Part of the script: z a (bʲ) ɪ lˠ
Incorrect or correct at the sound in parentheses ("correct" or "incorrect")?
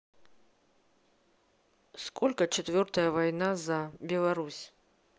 correct